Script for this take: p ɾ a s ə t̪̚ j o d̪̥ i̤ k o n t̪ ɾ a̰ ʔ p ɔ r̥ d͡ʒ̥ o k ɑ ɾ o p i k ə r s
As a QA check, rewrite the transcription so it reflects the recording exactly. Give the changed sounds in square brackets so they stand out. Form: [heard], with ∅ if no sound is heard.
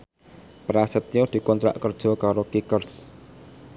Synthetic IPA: p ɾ a s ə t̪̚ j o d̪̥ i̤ k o n t̪ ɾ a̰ ʔ [k] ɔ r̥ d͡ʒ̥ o k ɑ ɾ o [k] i k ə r s